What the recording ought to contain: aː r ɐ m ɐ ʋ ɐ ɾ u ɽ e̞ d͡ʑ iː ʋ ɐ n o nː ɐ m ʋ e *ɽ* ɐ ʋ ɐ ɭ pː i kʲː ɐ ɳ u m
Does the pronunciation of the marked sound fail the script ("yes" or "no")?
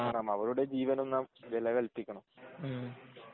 yes